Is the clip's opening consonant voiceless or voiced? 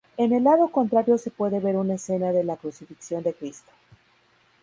voiced